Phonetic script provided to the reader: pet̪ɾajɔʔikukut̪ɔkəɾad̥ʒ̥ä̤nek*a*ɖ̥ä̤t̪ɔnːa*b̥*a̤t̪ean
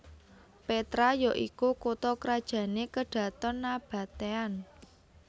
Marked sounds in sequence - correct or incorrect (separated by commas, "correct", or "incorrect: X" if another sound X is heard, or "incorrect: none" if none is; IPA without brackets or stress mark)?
incorrect: ə, correct